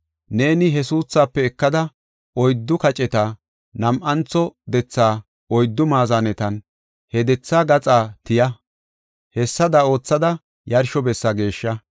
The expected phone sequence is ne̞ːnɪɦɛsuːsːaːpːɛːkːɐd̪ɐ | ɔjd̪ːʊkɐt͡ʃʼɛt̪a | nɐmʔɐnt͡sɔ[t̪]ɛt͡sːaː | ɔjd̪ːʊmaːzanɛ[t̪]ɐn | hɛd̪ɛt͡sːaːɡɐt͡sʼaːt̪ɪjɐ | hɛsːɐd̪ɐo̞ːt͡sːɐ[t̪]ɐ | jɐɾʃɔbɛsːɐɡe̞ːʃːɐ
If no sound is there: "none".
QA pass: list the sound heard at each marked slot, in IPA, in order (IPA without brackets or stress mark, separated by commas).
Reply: d̪, t̪, d̪